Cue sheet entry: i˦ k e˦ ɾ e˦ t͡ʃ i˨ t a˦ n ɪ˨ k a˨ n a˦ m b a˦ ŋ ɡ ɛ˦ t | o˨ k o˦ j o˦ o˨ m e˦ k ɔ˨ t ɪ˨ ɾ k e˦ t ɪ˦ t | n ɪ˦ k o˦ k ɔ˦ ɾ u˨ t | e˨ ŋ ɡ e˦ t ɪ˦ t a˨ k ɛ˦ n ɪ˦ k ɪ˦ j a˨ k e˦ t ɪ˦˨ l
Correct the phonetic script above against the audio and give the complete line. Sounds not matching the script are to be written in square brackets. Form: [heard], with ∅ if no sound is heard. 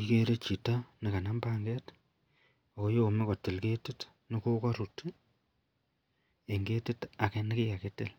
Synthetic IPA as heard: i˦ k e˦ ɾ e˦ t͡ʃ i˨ t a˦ n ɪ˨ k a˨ n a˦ m b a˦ ŋ ɡ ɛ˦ t | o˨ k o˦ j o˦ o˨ m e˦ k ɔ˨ t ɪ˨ [l] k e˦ t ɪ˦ t | n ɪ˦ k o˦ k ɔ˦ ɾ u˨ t | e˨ ŋ ɡ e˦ t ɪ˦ t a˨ k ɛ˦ n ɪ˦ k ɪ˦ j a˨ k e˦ t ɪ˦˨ l